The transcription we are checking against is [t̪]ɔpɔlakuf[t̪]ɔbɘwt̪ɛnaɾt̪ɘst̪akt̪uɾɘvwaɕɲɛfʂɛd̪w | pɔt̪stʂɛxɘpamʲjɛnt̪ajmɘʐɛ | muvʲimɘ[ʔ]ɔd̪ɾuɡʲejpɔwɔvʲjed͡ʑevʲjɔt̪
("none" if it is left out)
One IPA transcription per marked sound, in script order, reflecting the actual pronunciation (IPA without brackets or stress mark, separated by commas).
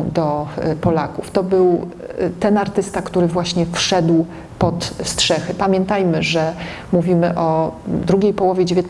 d̪, t̪, ʔ